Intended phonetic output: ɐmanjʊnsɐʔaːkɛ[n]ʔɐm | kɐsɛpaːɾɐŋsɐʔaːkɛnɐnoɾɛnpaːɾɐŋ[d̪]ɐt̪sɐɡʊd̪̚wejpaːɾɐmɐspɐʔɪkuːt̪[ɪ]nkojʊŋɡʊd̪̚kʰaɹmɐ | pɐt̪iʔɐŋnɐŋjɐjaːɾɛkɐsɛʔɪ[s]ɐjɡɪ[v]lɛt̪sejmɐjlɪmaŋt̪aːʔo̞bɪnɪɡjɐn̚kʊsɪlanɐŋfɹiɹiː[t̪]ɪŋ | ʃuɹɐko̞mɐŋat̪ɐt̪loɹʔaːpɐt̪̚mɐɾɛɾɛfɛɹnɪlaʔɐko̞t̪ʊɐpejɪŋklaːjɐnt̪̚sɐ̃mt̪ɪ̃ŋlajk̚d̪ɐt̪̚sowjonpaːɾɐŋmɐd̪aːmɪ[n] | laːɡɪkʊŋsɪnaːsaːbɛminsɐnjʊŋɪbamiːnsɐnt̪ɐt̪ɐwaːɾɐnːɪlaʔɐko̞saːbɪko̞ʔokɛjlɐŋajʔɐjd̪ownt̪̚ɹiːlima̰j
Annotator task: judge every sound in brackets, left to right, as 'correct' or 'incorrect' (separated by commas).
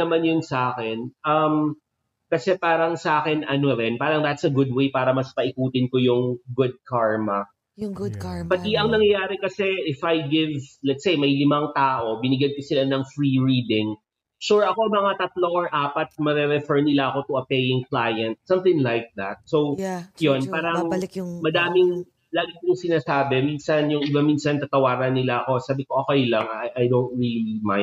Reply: correct, correct, correct, incorrect, correct, incorrect, incorrect